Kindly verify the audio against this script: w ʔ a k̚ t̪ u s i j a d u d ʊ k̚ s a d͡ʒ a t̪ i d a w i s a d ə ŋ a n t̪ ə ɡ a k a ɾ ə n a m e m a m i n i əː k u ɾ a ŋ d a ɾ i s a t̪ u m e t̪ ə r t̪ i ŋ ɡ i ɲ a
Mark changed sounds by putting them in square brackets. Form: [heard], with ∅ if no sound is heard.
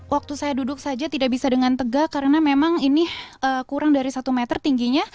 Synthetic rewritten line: w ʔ a k̚ t̪ u s [a] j a d u d ʊ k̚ s a d͡ʒ a t̪ i d a [b] i s a d ə ŋ a n t̪ ə ɡ a k a ɾ ə n a m e m a [ŋ] i n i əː k u ɾ a ŋ d a ɾ i s a t̪ u m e t̪ ə r t̪ i ŋ ɡ i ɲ a